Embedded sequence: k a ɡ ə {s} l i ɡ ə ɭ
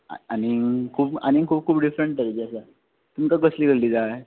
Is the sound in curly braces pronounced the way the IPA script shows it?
yes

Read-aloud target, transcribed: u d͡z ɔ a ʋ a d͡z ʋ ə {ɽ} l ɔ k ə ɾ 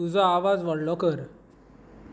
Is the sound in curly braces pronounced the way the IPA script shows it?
yes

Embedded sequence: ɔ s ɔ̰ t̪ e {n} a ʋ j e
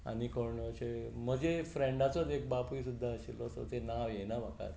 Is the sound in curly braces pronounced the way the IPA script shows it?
yes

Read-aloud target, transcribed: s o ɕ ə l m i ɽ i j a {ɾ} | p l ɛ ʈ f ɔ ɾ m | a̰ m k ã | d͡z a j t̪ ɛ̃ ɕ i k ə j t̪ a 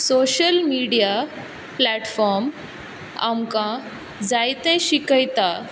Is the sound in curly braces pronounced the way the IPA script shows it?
no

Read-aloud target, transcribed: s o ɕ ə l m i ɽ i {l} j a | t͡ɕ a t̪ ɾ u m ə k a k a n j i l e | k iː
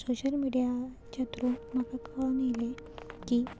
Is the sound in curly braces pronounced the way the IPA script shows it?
no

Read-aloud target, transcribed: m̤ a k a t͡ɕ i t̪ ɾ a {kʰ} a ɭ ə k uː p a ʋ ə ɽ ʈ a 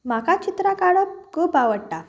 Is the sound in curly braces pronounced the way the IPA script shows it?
no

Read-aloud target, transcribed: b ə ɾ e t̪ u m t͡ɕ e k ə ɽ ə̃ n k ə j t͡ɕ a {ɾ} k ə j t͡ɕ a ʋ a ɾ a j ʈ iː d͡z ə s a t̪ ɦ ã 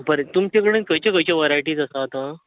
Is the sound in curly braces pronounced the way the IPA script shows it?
no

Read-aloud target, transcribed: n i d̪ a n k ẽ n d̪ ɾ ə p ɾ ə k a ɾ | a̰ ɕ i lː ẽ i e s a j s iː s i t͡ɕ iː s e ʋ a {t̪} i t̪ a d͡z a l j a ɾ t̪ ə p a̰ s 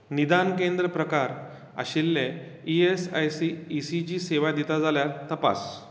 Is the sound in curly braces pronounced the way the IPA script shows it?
no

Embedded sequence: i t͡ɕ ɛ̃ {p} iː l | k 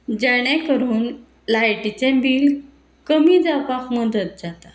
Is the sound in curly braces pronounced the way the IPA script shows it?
no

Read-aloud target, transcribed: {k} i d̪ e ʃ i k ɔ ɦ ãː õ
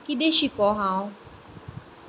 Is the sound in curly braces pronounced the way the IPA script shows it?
yes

